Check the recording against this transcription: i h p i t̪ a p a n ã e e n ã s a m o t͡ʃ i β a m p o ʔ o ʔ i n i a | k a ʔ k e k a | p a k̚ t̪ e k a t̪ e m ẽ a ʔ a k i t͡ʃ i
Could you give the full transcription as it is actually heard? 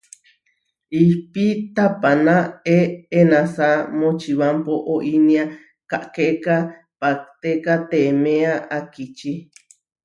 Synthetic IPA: i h p i t̪ a p a n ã e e n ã s a m o t͡ʃ i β a m p o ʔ o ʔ i n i a | k a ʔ k e k a | p a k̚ t̪ e k a t̪ e m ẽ a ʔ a k i t͡ʃ i